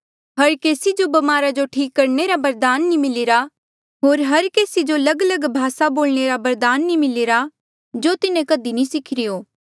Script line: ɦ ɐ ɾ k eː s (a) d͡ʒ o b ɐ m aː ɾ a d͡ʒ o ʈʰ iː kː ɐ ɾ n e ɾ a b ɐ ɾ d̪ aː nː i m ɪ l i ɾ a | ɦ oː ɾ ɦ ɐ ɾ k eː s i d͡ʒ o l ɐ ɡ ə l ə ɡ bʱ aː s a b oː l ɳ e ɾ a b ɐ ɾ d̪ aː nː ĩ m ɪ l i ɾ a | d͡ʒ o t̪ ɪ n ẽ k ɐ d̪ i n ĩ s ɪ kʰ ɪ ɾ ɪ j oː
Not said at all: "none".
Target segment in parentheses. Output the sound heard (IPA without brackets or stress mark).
i